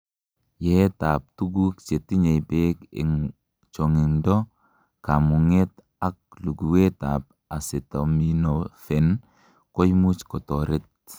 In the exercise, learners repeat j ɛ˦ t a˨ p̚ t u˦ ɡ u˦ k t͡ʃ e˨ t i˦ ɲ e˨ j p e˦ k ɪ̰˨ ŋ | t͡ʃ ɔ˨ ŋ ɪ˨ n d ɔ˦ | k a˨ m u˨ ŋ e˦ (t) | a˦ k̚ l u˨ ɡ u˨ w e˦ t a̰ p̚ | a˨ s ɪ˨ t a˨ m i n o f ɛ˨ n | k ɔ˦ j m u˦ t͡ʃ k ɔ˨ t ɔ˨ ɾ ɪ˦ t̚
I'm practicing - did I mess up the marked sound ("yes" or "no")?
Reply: no